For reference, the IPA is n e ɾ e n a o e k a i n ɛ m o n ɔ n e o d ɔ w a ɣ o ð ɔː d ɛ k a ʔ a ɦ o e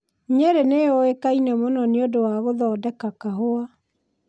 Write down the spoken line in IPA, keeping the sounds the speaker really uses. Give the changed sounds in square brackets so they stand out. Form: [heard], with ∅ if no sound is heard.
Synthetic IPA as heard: [ɲ] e ɾ e n [e] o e k a i n ɛ m o n ɔ n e o d [o] w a ɣ o ð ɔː d ɛ k a [k] a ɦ o [a]